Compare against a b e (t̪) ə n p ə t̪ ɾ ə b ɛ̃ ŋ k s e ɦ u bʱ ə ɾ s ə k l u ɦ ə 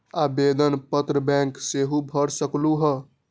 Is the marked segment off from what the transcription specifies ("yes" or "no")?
yes